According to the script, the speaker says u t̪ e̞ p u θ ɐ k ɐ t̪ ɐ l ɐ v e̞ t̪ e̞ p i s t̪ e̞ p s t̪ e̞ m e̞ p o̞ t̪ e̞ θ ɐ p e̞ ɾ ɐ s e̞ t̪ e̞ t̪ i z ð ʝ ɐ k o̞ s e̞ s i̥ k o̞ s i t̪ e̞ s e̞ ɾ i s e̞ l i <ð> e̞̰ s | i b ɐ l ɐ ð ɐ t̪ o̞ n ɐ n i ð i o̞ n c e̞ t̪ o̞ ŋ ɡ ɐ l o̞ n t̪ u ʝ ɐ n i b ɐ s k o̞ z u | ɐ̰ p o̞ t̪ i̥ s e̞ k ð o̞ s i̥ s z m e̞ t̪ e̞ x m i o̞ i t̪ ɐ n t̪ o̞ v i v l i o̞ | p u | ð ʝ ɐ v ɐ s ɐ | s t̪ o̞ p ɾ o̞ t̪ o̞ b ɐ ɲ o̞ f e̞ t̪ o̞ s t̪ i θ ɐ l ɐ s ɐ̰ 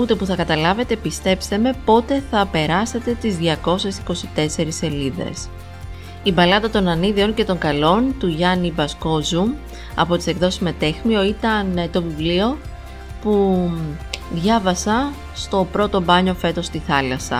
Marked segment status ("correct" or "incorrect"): correct